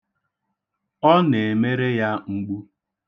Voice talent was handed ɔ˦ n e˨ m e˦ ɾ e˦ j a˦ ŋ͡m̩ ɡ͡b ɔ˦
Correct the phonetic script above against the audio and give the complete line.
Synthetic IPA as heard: ɔ˦ n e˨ m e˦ ɾ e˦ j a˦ ŋ͡m̩ ɡ͡b u˦